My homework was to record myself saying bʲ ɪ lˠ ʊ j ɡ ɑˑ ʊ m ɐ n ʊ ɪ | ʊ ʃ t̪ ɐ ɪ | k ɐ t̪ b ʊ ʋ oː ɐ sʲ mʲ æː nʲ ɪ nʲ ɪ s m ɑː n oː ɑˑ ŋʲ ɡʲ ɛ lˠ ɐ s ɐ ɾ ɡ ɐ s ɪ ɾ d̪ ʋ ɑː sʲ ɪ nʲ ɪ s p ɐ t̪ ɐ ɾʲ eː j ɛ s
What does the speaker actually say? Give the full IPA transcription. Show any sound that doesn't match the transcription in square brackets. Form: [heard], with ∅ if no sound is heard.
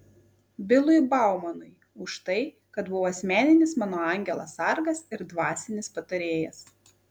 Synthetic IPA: bʲ ɪ lˠ ʊ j [b] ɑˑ ʊ m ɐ n ʊ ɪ | ʊ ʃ t̪ ɐ ɪ | k ɐ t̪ b ʊ ʋ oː ɐ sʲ mʲ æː nʲ ɪ nʲ ɪ s m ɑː n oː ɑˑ ŋʲ ɡʲ ɛ lˠ ɐ s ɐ ɾ ɡ ɐ s ɪ ɾ d̪ ʋ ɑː sʲ ɪ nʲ ɪ s p ɐ t̪ ɐ ɾʲ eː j ɛ s